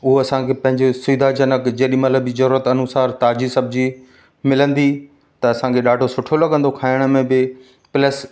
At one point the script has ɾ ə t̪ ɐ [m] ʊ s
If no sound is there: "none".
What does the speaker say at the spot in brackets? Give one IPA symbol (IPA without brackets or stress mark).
n